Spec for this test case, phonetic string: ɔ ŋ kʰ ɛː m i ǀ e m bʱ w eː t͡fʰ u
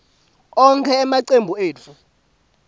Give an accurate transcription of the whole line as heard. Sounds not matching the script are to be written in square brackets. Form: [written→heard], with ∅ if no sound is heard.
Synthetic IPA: ɔ ŋ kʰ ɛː m [i→a] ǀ e m bʱ [w→u] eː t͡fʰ u